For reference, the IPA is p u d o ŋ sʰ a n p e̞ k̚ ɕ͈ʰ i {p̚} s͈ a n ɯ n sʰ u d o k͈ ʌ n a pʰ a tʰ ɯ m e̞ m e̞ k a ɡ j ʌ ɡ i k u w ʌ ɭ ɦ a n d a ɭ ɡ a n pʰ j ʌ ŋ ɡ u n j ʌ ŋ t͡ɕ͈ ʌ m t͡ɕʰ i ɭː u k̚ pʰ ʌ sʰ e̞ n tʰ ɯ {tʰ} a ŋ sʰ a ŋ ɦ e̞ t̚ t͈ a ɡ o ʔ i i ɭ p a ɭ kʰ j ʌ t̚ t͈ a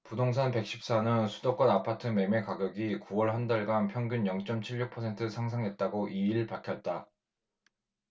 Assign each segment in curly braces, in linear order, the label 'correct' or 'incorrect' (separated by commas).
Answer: correct, incorrect